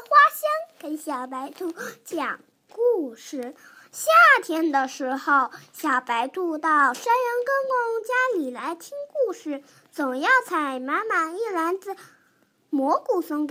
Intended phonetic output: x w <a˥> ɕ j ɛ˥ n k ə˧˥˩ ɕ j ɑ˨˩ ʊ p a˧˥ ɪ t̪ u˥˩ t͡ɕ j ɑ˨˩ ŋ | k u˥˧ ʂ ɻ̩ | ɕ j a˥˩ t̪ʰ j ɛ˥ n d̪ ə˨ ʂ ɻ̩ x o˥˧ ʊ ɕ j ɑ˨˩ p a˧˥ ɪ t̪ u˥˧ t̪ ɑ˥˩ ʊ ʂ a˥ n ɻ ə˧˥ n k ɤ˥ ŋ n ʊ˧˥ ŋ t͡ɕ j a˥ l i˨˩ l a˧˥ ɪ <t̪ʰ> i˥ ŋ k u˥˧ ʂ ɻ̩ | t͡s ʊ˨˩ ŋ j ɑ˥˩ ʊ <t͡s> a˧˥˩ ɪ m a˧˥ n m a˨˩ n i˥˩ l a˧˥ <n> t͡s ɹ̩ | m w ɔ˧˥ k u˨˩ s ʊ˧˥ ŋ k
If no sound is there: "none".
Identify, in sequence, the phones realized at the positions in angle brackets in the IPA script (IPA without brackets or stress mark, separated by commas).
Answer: a˥, t̪ʰ, t͡sʰ, n